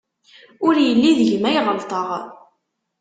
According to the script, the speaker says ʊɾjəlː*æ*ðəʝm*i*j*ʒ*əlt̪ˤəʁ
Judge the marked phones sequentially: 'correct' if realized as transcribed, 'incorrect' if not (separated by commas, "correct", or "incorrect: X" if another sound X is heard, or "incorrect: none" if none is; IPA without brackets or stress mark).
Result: incorrect: i, incorrect: æ, incorrect: ʁ